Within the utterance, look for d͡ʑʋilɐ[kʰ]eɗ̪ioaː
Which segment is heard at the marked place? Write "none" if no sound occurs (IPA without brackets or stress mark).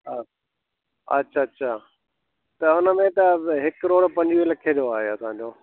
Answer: kʰ